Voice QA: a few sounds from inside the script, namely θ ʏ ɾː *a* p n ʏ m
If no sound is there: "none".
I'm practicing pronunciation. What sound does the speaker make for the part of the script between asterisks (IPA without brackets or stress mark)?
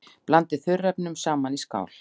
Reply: ɛ